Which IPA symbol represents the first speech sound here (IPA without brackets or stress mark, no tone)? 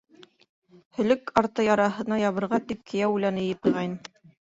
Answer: h